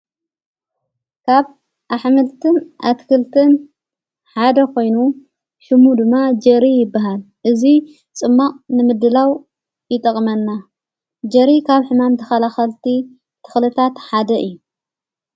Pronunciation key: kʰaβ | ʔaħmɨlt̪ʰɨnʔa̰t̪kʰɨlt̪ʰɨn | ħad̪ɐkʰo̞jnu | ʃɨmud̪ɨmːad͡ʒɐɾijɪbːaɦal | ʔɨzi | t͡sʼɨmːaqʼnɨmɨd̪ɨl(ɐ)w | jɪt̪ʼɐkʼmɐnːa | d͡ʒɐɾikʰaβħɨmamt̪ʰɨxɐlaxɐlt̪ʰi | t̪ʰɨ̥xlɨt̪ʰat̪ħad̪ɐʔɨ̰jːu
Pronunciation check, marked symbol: incorrect: a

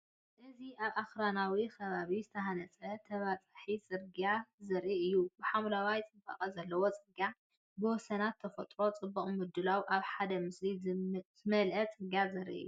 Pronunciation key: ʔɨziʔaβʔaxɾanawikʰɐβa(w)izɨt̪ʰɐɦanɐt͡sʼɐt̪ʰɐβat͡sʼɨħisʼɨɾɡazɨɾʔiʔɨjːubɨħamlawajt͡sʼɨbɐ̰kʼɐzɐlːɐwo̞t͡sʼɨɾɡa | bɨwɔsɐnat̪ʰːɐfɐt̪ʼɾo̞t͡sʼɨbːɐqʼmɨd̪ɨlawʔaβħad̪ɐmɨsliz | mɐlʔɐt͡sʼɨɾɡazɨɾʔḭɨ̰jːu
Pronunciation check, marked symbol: incorrect: β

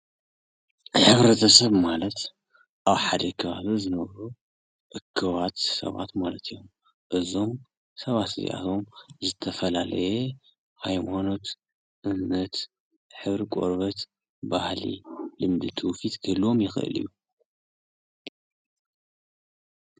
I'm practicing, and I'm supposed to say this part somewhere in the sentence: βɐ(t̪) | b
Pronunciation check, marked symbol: correct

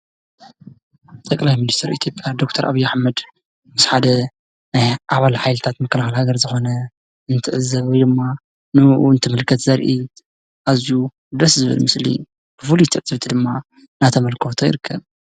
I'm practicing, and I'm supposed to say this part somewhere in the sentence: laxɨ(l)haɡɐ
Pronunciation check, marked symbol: correct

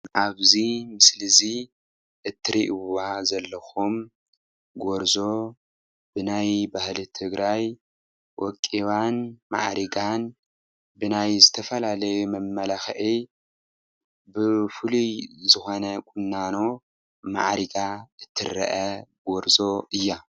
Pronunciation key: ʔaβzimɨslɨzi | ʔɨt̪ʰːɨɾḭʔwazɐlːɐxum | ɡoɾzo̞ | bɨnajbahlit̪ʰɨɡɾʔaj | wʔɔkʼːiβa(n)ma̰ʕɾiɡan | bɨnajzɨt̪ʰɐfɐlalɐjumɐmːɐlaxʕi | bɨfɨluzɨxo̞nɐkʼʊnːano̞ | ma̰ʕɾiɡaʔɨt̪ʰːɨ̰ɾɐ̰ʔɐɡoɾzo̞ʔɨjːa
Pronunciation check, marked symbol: correct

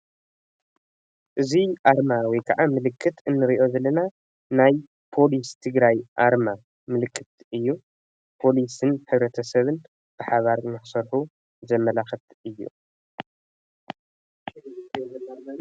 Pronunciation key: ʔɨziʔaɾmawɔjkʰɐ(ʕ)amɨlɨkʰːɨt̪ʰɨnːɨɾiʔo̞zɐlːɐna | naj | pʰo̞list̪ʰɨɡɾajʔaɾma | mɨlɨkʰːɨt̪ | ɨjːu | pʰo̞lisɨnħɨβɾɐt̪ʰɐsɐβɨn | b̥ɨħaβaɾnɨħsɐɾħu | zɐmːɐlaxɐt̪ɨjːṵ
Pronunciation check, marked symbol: correct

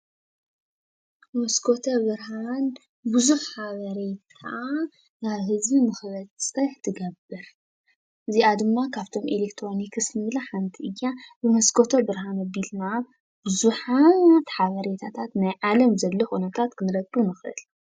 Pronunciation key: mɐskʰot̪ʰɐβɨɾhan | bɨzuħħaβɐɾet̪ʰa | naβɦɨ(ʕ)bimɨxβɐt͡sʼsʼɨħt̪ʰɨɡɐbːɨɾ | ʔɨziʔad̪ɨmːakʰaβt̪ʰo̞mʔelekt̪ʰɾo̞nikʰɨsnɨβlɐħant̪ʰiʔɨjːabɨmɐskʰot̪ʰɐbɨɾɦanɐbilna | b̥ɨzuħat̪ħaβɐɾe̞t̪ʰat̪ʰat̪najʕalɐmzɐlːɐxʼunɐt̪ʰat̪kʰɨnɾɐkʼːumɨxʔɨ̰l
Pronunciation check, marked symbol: incorrect: z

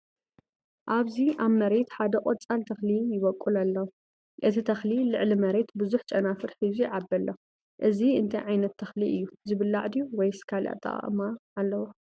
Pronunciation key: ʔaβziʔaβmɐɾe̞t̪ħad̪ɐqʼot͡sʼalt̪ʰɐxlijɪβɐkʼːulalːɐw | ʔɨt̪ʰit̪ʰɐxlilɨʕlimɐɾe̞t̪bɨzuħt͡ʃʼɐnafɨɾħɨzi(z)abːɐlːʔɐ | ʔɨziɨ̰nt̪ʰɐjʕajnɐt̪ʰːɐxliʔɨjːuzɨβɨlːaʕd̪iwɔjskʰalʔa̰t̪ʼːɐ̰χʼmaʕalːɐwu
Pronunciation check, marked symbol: incorrect: ʕ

